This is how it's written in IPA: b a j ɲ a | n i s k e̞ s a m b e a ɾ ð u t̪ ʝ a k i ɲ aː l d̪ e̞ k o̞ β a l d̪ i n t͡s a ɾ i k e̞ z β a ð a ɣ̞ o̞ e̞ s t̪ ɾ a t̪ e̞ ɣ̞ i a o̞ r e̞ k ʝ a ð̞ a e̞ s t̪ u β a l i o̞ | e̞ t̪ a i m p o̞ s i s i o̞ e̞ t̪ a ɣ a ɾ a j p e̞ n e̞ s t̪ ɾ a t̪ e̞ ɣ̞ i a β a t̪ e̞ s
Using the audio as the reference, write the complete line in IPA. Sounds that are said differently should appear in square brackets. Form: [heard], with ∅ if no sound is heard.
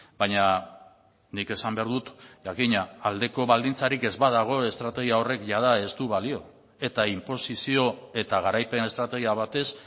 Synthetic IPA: b a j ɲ a | n i [∅] k e̞ s a m b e a ɾ ð u t̪ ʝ a k i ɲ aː l d̪ e̞ k o̞ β a l d̪ i n t͡s a ɾ i k e̞ z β a ð a ɣ̞ o̞ e̞ s t̪ ɾ a t̪ e̞ ɣ̞ i a o̞ r e̞ k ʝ a ð̞ a e̞ s t̪ u β a l i o̞ | e̞ t̪ a i m p o̞ s i s i o̞ e̞ t̪ a ɣ a ɾ a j p e̞ n e̞ s t̪ ɾ a t̪ e̞ ɣ̞ i a β a t̪ e̞ s

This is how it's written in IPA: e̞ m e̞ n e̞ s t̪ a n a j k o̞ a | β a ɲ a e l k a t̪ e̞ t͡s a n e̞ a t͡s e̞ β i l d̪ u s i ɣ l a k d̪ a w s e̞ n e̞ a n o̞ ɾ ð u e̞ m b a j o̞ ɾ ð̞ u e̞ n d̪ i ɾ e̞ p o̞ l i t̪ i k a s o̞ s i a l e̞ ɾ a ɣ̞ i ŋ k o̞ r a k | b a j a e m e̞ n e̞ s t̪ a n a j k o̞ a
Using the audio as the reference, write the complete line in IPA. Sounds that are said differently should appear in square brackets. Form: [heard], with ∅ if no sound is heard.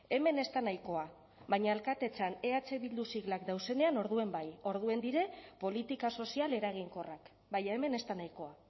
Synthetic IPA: e̞ m e̞ n e̞ s t̪ a n a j k o̞ a | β a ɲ a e l k a t̪ e̞ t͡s a n e̞ a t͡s e̞ β i l d̪ u s i ɣ l a k d̪ a w s e̞ n e̞ a n o̞ ɾ ð u e̞ m b a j o̞ ɾ ð̞ u e̞ n d̪ i ɾ e̞ p o̞ l i t̪ i k a s o̞ s i a l e̞ ɾ a ɣ̞ i ŋ k o̞ r a k | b a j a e m e̞ n e̞ s t̪ a n a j k o̞ a

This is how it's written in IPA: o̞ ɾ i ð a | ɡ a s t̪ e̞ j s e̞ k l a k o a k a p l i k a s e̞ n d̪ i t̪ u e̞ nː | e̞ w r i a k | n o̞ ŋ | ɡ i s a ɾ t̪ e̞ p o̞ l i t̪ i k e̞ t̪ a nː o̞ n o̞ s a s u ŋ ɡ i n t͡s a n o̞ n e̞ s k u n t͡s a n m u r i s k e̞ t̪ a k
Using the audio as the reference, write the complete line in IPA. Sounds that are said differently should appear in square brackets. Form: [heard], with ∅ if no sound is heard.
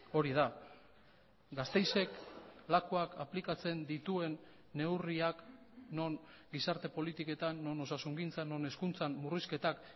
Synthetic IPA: o̞ ɾ i ð a | ɡ a s t̪ e̞ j s e̞ k l a k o a k a p l i k a [t͡s] e̞ n d̪ i t̪ u e̞ nː | e̞ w r i a k | n o̞ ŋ | ɡ i s a ɾ t̪ e̞ p o̞ l i t̪ i k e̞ t̪ a nː o̞ n o̞ s a s u ŋ ɡ i n t͡s a n o̞ n e̞ s k u n t͡s a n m u r i s k e̞ t̪ a k

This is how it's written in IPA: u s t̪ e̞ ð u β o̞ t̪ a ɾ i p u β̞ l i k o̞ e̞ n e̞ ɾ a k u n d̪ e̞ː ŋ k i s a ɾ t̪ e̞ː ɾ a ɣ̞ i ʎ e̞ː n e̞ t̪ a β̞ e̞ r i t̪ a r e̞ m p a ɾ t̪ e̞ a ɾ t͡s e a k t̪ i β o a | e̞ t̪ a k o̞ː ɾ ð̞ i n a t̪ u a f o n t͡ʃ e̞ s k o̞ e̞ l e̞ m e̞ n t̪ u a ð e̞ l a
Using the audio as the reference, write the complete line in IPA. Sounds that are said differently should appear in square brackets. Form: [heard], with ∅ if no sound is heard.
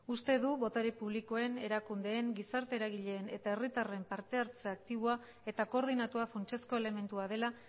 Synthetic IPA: u s t̪ e̞ ð u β o̞ t̪ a ɾ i p u β̞ l i k o̞ e̞ n e̞ ɾ a k u n d̪ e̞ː ŋ [ɡ] i s a ɾ t̪ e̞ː ɾ a ɣ̞ i ʎ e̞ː n e̞ t̪ a [∅] e̞ r i t̪ a r e̞ m p a ɾ t̪ e̞ a ɾ t͡s e a k t̪ i β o a | e̞ t̪ a k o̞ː ɾ ð̞ i n a t̪ u a f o n t͡ʃ e̞ s k o̞ e̞ l e̞ m e̞ n t̪ u a ð e̞ l a

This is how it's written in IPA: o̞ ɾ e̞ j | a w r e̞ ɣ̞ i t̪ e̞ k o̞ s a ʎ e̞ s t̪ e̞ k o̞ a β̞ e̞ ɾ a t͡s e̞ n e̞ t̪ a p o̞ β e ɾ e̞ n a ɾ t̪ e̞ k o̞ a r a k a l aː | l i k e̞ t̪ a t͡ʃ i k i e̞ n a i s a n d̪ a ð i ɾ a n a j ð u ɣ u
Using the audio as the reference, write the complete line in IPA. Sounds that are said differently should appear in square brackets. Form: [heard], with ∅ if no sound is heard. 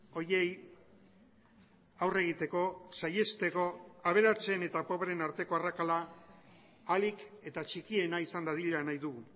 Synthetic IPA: o̞ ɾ e̞ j | a w r e̞ ɣ̞ i t̪ e̞ k o̞ s a [j] e̞ s t̪ e̞ k o̞ a β̞ e̞ ɾ a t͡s e̞ n e̞ t̪ a p o̞ β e ɾ e̞ n a ɾ t̪ e̞ k o̞ a r a k a l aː | l i k e̞ t̪ a t͡ʃ i k i e̞ n a i s a n d̪ a ð i [ʎ] a n a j ð u ɣ u

